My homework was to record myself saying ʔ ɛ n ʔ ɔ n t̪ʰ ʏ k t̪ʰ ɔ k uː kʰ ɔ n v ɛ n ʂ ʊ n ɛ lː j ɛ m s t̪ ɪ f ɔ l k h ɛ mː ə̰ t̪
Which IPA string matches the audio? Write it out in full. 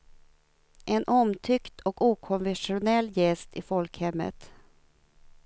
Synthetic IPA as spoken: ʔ ɛ n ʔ ɔ m t̪ʰ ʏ k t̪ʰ ɔ k uː kʰ ɔ n v ɛ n ʂ ʊ n ɛ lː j ɛ s t̪ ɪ f ɔ l k h ɛ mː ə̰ t̪